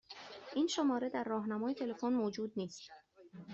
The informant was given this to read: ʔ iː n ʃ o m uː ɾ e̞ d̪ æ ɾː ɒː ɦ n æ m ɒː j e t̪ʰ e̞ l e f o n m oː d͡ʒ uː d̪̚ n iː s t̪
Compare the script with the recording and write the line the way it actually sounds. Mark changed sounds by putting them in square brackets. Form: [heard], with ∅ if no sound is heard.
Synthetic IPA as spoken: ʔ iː n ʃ o m [ɒː] ɾ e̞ d̪ æ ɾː ɒː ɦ n æ m ɒː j e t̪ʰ e̞ l e f o n m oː d͡ʒ uː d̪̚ n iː s t̪